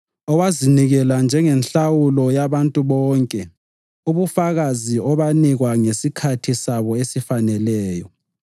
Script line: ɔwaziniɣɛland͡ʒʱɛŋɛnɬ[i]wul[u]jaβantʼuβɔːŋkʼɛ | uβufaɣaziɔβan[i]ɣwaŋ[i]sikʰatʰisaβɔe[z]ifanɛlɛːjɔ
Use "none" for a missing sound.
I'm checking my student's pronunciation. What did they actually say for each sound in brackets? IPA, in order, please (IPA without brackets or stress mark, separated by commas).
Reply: a, ɔ, i, e, s